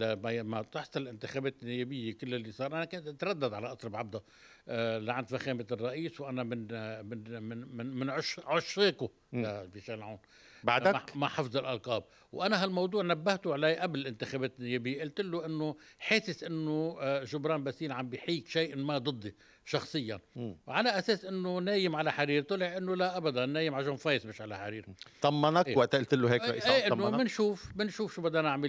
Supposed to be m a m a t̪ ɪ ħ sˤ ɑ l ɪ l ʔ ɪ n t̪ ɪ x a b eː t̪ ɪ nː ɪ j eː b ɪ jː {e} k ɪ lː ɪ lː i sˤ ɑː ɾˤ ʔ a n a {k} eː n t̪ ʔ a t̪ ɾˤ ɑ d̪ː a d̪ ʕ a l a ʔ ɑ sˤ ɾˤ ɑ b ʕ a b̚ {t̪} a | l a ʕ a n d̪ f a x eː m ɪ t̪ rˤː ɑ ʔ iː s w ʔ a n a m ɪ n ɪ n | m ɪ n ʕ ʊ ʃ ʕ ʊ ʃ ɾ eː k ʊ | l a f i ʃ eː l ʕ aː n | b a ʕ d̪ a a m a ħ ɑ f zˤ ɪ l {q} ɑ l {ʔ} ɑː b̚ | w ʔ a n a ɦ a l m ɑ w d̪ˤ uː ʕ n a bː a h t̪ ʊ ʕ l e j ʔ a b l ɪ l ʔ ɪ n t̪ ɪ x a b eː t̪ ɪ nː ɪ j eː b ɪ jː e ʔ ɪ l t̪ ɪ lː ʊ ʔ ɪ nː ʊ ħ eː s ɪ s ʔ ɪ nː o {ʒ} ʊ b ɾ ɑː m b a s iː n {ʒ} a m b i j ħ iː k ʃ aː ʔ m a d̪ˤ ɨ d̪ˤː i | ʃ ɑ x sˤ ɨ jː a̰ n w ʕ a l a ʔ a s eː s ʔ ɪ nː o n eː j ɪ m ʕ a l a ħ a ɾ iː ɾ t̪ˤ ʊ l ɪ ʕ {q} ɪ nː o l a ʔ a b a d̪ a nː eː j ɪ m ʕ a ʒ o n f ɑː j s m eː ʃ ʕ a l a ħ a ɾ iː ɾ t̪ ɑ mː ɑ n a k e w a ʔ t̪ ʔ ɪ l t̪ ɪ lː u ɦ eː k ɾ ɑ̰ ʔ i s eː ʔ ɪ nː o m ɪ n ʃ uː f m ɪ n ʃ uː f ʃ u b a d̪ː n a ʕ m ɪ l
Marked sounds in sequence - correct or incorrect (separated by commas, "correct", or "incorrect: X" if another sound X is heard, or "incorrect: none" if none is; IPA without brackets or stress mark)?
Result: correct, correct, incorrect: d̪, incorrect: ʔ, incorrect: q, correct, incorrect: ʕ, incorrect: ʔ